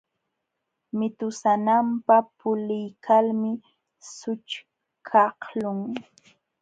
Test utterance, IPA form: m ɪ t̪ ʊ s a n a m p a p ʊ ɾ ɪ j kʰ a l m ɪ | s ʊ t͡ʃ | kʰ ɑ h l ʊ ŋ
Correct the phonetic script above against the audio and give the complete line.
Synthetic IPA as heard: m ɪ t̪ ʊ s a n a m p a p ʊ l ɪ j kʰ a l m ɪ | s ʊ t͡ʃ | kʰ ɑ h l ʊ ŋ